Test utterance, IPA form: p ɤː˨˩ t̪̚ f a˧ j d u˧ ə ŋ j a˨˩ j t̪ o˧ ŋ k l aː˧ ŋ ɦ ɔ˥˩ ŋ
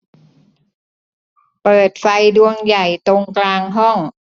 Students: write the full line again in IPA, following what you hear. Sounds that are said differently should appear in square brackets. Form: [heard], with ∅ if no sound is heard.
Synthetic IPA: p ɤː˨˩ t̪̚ f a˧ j d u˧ ə ŋ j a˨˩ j t̪ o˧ ŋ k l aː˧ ŋ ɦ ɔ˥˩ ŋ